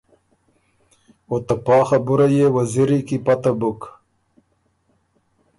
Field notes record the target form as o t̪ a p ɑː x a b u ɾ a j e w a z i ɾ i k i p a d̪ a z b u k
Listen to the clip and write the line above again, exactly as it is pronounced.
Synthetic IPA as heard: o t̪ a p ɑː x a b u ɾ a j e w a z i ɾ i k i p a t̪ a b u k